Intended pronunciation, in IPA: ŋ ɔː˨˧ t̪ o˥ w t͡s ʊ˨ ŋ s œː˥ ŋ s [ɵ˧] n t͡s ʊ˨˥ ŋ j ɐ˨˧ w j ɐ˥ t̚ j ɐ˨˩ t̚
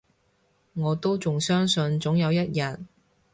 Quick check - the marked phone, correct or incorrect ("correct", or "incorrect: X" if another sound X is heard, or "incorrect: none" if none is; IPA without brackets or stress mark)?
correct